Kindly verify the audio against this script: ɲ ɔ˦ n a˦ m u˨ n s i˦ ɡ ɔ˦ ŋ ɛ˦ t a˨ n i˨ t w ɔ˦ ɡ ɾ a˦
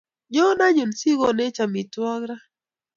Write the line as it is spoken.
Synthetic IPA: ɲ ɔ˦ n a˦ ɲ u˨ n s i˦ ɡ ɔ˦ n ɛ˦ t͡ʃ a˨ m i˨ t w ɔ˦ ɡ ɾ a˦